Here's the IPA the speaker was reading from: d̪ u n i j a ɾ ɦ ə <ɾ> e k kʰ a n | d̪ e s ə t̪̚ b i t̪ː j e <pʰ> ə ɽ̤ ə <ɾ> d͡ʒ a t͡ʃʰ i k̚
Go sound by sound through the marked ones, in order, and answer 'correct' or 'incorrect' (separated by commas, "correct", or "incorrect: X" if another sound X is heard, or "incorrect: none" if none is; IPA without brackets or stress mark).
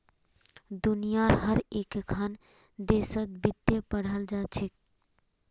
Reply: correct, incorrect: p, incorrect: l